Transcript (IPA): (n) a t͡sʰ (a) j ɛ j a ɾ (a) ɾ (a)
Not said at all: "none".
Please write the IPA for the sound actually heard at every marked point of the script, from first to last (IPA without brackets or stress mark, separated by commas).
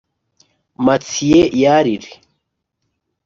m, i, i, i